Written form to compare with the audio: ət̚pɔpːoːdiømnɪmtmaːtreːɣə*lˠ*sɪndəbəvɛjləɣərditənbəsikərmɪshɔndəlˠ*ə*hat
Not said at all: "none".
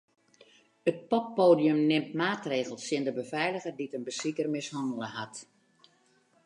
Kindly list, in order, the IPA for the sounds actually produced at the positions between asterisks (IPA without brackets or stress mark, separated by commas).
lˠ, ə